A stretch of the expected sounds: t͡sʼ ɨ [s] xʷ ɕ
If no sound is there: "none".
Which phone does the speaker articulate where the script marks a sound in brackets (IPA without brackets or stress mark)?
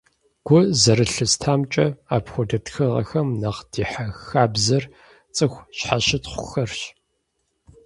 none